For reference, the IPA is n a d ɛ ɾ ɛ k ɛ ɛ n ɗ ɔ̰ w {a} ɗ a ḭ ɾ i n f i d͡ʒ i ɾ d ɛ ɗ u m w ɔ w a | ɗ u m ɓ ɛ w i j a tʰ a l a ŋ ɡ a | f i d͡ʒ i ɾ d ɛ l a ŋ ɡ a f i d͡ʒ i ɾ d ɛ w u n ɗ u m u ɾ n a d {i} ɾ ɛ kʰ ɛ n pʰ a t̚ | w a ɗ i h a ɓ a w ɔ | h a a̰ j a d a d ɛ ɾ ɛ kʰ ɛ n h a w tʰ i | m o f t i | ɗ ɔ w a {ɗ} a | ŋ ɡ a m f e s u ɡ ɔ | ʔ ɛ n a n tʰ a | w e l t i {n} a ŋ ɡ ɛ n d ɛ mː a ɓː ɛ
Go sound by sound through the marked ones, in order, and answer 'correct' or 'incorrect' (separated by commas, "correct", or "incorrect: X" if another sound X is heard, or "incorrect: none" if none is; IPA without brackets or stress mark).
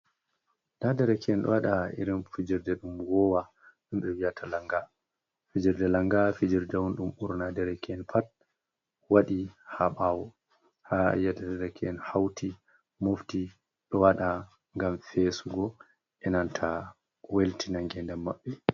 correct, incorrect: ɛ, correct, correct